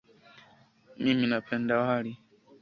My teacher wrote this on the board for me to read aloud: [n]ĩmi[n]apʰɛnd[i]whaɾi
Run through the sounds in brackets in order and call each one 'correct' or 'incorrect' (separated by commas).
incorrect, correct, incorrect